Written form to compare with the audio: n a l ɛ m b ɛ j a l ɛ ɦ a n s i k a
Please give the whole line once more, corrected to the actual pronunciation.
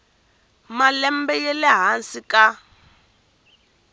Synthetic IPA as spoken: m a l ɛ m b ɛ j ɛ l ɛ ɦ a n s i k a